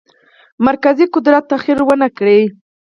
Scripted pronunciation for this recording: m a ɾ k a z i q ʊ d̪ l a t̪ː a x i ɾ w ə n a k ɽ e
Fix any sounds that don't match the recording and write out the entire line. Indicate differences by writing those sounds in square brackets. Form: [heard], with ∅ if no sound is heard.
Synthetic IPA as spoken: m a ɾ k a z i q ʊ d̪ [ɾ] a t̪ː a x i ɾ w ə n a k ɽ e